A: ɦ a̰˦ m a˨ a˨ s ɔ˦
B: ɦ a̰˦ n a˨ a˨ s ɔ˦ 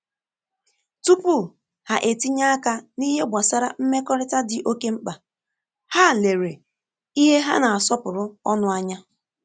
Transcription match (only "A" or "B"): B